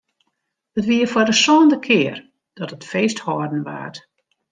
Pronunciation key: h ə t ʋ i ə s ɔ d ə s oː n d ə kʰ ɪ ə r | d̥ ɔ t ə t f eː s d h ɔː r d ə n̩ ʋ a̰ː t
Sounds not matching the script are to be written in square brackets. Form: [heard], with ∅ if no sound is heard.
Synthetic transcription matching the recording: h ə t ʋ i ə [f] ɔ d ə s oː n d ə kʰ ɪ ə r | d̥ ɔ t ə t f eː s [t] h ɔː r d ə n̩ ʋ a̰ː t

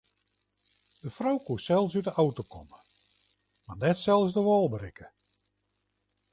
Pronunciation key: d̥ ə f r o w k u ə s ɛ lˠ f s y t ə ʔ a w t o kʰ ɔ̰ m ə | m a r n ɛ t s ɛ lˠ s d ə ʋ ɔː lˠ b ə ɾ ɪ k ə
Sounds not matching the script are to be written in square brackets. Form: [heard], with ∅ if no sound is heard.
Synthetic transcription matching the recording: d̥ ə f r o w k u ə s ɛ lˠ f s y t ə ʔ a w t o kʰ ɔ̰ m ə | m a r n ɛ t s ɛ lˠ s d ə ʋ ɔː lˠ b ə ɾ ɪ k ə

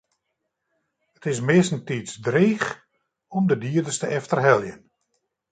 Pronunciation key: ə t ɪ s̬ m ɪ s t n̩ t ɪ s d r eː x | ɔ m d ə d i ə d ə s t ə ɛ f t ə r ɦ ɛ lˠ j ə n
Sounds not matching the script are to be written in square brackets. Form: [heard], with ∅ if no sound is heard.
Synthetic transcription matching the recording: ə t ɪ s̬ m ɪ s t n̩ t [i] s d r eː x | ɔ m d ə d i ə d ə s t ə ɛ f t ə r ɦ ɛ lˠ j ə n

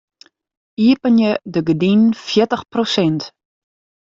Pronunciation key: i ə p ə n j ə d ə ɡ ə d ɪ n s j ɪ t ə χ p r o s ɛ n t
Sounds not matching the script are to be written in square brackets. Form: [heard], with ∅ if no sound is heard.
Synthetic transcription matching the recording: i ə p ə n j ə d ə ɡ ə d [i] n [f] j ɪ t ə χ p r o s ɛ n t

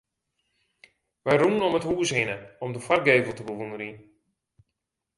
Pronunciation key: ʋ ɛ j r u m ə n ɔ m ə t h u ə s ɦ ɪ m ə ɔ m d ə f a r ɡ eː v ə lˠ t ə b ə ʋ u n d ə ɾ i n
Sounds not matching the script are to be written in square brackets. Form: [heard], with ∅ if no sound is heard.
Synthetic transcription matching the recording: ʋ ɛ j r u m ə n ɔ m ə t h u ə s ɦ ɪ [n] ə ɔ m d ə f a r ɡ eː v ə lˠ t ə b ə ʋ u n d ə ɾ i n

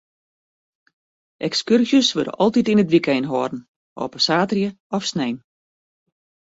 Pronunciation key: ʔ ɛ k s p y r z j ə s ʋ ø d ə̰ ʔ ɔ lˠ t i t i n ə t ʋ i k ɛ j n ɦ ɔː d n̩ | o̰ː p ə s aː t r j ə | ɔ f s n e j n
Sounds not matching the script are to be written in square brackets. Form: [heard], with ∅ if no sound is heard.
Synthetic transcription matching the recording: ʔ ɛ k s [k] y r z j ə s ʋ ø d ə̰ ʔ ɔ lˠ t i t i n ə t ʋ i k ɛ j n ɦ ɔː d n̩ | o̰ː p ə s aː t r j ə | ɔ f s n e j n

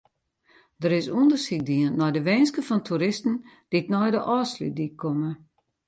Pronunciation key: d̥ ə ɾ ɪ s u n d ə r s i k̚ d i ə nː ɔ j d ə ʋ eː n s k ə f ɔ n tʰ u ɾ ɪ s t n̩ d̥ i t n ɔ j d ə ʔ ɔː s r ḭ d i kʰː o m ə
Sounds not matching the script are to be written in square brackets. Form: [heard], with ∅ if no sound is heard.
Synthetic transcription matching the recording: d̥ ə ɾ ɪ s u n d ə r s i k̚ d i ə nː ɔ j d ə ʋ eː n s k ə f ɔ n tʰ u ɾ ɪ s t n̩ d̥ i t n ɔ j d ə ʔ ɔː s [l] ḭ d i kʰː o m ə

